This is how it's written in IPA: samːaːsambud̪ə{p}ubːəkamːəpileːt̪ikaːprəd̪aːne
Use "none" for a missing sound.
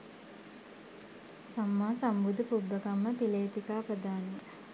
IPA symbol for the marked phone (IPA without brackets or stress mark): p